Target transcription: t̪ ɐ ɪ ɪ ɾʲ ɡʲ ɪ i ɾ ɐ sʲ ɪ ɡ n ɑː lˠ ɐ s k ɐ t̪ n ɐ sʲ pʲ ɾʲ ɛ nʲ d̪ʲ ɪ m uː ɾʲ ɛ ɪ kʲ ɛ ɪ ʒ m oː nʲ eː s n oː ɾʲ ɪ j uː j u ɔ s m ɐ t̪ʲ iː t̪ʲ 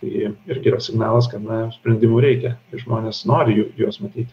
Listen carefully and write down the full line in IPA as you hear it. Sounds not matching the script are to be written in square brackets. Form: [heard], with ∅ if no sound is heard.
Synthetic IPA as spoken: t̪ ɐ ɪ ɪ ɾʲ ɡʲ ɪ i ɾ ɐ sʲ ɪ ɡ n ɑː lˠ ɐ s k ɐ t̪ n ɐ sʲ pʲ ɾʲ ɛ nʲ d̪ʲ ɪ m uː ɾʲ ɛ ɪ kʲ ɛ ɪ ʒ m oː nʲ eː s n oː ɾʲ ɪ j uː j u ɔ s m ɐ t̪ʲ iː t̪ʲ

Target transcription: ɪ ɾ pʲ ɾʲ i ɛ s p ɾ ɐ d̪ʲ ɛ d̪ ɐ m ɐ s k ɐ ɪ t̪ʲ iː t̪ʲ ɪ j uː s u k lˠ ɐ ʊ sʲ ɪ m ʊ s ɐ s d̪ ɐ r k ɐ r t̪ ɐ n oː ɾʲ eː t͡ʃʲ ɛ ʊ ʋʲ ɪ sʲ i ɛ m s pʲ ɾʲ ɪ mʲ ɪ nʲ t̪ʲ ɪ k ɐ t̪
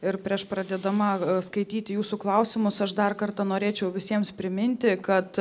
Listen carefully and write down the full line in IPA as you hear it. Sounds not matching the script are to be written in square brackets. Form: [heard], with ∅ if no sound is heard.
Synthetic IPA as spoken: ɪ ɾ pʲ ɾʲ i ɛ [ʃ] p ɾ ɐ d̪ʲ ɛ d̪ ɐ m ɐ s k ɐ ɪ t̪ʲ iː t̪ʲ ɪ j uː s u k lˠ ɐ ʊ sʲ ɪ m ʊ s ɐ [ʃ] d̪ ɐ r k ɐ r t̪ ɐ n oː ɾʲ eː t͡ʃʲ ɛ ʊ ʋʲ ɪ sʲ i ɛ m s pʲ ɾʲ ɪ mʲ ɪ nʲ t̪ʲ ɪ k ɐ t̪

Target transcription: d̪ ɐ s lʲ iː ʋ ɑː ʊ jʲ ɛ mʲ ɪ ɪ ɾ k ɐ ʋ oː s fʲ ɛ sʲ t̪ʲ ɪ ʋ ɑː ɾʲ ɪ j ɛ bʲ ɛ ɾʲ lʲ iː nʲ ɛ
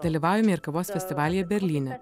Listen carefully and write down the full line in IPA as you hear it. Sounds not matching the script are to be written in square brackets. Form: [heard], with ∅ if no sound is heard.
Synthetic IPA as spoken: d̪ ɐ [∅] lʲ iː ʋ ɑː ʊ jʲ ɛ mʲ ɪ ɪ ɾ k ɐ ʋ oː s fʲ ɛ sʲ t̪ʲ ɪ ʋ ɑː [lʲ] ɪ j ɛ bʲ ɛ ɾʲ lʲ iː nʲ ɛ

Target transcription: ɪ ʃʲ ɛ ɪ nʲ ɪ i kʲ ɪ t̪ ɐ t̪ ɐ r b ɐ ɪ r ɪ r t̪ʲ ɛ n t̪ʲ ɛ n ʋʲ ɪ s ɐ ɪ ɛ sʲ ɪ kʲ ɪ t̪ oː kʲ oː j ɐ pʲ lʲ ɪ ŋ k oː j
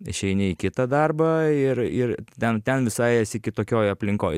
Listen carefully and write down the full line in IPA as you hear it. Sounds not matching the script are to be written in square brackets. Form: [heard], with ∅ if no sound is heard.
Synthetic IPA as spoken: ɪ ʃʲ ɛ ɪ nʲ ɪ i kʲ ɪ t̪ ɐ [d̪] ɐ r b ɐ ɪ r ɪ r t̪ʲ ɛ n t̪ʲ ɛ n ʋʲ ɪ s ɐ ɪ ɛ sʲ ɪ kʲ ɪ t̪ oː kʲ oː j ɐ pʲ lʲ ɪ ŋ k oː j

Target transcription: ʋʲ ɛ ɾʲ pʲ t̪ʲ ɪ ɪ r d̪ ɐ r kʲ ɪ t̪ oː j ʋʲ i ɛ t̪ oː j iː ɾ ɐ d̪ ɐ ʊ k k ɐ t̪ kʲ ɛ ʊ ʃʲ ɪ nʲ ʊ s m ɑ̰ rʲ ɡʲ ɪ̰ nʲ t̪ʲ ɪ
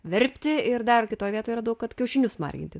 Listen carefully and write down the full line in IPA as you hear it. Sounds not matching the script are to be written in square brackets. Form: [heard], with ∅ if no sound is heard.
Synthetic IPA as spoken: ʋʲ ɛ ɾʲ pʲ t̪ʲ ɪ ɪ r d̪ ɐ r kʲ ɪ t̪ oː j ʋʲ i ɛ t̪ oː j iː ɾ ɐ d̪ ɐ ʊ k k ɐ t̪ kʲ ɛ ʊ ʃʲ ɪ nʲ ʊ s m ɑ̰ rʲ ɡʲ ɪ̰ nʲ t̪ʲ ɪ

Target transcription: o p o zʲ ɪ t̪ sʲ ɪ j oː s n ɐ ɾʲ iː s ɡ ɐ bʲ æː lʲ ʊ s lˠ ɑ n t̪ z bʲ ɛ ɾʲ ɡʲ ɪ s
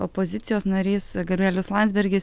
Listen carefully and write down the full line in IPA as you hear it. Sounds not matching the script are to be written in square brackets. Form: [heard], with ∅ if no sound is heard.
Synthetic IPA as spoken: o p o zʲ ɪ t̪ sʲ ɪ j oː s n ɐ ɾʲ iː s ɡ ɐ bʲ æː lʲ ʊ s lˠ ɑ n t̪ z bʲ ɛ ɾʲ ɡʲ ɪ s

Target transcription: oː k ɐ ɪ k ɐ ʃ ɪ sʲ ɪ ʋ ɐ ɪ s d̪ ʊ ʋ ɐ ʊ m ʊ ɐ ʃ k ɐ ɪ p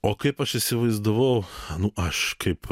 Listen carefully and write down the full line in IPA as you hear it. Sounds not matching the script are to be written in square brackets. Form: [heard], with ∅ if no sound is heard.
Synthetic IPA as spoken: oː k ɐ ɪ [p] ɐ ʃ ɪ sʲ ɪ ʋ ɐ ɪ [z] d̪ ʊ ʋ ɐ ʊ [n] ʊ ɐ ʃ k ɐ ɪ p

